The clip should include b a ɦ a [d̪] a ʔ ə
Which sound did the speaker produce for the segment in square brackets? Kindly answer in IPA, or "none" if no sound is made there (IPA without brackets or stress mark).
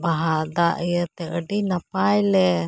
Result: d̪